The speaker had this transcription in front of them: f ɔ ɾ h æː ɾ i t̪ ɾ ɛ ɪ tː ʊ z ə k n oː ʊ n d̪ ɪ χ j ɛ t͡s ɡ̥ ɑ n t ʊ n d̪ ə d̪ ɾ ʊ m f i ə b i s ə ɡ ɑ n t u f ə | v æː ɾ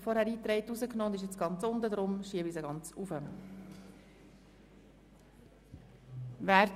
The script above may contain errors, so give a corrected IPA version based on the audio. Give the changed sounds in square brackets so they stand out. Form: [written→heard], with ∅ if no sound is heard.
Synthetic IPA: f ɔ ɾ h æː ɾ [i→iː] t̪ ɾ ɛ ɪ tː [ʊ→u] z ə k n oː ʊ n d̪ ɪ [χ→ʃ] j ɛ t͡s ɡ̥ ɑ n [t→t͡s] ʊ n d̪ ə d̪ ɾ ʊ m [f→ʃ] i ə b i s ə ɡ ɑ n [t→t͡s] u f ə | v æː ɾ